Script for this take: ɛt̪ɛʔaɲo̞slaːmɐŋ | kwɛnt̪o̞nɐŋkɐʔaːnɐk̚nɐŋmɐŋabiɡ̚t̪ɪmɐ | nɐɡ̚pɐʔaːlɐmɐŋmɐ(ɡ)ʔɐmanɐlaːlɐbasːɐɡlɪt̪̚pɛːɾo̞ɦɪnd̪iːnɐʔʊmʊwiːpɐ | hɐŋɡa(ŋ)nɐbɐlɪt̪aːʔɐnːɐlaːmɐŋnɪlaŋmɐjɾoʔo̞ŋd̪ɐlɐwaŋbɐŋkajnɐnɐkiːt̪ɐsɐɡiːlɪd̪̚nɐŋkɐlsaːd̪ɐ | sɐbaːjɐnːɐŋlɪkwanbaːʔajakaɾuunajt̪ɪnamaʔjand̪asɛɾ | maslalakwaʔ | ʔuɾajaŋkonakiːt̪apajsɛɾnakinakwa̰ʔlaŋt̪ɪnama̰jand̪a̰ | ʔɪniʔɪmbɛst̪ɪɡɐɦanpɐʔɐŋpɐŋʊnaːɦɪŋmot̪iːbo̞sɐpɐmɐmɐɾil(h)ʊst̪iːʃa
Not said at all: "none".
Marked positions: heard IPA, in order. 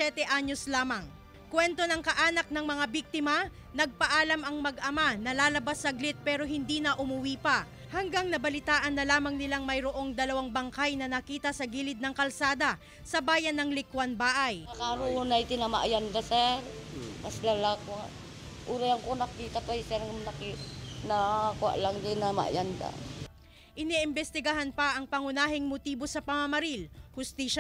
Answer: ɡ, ŋ, h

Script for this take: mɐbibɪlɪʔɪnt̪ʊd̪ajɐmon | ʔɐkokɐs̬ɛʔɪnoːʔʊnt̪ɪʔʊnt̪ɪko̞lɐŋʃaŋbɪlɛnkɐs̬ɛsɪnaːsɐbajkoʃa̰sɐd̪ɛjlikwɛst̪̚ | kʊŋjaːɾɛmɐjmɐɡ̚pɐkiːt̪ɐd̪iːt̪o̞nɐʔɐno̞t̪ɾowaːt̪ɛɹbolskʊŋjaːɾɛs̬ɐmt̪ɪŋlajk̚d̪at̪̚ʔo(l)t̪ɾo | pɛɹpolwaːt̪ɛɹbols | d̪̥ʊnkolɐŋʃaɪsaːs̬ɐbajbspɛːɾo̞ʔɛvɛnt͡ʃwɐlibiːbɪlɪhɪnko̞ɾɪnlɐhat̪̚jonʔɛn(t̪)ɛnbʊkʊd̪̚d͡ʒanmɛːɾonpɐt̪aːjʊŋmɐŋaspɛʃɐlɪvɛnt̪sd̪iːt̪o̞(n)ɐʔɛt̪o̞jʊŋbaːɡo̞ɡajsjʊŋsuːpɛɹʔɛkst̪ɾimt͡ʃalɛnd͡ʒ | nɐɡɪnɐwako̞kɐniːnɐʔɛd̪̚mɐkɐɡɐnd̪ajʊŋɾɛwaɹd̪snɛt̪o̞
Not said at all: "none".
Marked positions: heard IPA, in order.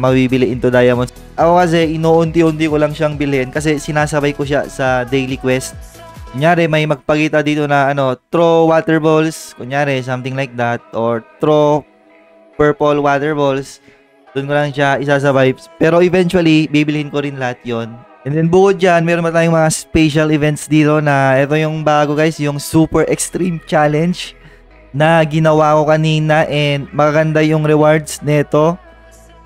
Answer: ɹ, d̪, n

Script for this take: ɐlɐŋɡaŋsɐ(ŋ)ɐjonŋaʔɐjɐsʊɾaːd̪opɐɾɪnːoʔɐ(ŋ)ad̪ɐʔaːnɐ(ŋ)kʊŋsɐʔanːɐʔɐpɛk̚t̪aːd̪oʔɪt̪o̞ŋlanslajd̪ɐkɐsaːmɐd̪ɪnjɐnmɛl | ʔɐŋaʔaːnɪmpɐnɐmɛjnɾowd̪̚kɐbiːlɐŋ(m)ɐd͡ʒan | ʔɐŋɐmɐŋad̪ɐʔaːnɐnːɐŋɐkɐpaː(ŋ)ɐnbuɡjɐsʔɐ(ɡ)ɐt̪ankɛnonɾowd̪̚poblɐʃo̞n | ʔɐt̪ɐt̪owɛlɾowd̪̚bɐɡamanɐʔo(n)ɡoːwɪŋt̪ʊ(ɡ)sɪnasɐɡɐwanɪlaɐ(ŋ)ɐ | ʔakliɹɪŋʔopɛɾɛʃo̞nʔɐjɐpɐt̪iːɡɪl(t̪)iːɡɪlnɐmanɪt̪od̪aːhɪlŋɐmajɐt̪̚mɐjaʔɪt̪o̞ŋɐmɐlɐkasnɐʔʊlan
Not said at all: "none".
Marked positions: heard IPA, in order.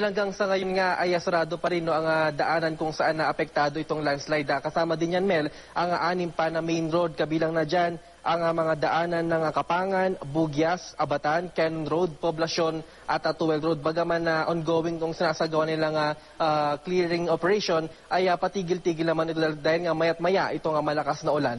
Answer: ŋ, ŋ, n, n, ŋ, b, n, ŋ, ŋ, t̪

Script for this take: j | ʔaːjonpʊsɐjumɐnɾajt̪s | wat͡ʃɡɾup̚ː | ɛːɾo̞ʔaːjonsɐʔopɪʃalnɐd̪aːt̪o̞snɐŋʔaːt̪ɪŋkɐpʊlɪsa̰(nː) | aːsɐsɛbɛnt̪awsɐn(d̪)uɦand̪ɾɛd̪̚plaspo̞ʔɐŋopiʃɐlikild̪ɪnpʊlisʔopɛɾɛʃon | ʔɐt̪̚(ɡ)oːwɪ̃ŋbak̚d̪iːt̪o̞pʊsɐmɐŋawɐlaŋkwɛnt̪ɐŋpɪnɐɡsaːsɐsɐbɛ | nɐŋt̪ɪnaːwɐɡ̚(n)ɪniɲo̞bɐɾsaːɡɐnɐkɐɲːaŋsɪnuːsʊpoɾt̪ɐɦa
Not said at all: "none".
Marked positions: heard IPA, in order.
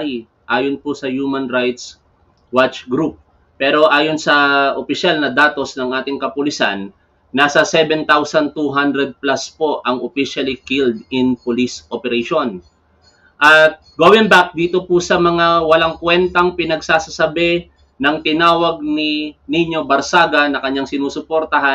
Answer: nː, t̪, ɡ, n

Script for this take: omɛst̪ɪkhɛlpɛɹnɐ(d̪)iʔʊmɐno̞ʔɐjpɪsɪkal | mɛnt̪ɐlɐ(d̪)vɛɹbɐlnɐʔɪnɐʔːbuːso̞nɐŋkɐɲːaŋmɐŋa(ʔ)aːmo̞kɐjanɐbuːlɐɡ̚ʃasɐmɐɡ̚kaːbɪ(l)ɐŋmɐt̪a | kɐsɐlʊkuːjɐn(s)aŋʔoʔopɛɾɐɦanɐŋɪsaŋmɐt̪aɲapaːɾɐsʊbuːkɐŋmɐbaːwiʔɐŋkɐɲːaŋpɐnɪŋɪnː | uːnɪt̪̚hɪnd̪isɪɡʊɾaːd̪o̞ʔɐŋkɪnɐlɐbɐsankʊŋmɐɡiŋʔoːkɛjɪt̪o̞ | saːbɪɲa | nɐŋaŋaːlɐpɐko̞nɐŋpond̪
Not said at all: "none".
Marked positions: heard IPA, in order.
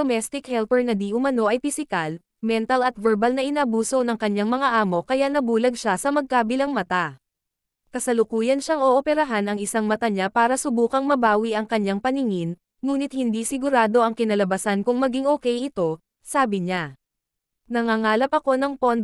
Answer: d̪, t̪, ʔ, l, ʃ

